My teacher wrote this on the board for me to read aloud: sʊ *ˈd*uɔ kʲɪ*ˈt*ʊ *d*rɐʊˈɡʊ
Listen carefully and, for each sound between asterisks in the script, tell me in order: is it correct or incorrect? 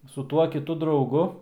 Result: incorrect, correct, correct

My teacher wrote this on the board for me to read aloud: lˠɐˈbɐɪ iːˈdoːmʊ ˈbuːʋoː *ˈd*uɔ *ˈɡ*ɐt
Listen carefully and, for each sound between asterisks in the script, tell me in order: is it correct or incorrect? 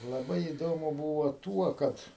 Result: incorrect, incorrect

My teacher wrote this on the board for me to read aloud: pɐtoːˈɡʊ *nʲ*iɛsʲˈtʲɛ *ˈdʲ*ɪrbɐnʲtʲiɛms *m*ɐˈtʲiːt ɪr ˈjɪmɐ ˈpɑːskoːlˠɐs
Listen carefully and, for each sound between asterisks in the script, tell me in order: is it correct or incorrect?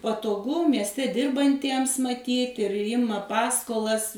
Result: incorrect, correct, correct

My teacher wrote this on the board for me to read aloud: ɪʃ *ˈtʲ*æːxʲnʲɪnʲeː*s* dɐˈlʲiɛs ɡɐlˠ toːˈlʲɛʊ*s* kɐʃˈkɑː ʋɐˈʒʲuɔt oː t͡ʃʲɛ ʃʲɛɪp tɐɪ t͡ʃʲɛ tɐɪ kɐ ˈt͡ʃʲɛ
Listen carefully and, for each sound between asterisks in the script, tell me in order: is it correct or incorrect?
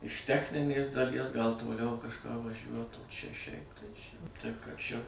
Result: correct, correct, incorrect

